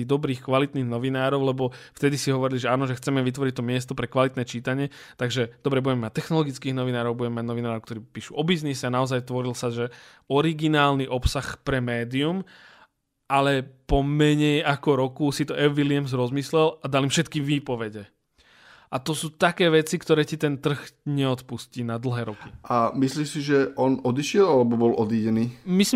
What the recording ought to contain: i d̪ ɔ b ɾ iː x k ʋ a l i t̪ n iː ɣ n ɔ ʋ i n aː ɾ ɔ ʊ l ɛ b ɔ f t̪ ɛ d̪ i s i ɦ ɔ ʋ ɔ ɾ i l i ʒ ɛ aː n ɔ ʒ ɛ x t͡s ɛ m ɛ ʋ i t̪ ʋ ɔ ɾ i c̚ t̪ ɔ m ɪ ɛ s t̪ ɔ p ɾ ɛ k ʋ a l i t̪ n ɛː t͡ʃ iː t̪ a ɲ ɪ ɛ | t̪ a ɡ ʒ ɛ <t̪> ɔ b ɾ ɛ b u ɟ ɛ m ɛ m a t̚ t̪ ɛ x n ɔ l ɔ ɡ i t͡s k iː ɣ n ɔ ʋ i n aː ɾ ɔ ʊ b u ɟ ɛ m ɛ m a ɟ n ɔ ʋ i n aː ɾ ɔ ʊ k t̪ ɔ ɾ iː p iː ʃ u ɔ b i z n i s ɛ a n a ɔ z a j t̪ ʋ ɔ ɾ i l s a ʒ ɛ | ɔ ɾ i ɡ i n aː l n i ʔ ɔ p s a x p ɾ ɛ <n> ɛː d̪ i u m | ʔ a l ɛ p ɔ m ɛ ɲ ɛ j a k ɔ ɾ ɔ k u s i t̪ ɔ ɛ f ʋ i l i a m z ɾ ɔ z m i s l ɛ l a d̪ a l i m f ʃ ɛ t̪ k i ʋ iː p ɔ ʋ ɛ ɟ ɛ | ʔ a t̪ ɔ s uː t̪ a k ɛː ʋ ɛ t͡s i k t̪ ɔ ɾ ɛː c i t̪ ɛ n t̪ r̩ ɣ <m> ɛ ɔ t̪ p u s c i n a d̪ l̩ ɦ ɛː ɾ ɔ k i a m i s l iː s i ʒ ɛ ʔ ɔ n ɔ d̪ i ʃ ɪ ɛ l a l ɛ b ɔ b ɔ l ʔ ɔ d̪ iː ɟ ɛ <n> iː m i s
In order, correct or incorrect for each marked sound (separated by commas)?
incorrect, incorrect, incorrect, correct